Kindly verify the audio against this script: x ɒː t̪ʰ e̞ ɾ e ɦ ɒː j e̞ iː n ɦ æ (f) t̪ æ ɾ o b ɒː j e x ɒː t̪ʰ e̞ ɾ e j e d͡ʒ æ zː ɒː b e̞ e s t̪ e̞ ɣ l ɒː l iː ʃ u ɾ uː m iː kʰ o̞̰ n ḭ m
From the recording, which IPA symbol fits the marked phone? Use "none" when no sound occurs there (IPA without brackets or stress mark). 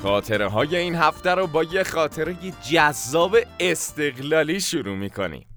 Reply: f